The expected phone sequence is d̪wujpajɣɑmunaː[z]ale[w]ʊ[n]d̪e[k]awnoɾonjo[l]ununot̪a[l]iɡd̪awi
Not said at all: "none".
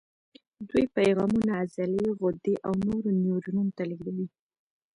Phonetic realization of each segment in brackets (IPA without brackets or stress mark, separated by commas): z, ɣ, none, ʔ, ɾ, l